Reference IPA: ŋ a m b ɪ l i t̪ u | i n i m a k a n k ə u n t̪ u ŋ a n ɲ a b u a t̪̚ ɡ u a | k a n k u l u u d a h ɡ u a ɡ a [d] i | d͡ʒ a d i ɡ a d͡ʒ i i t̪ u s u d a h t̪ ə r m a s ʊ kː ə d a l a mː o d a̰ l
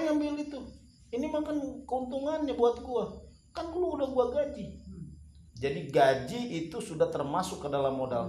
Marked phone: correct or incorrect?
incorrect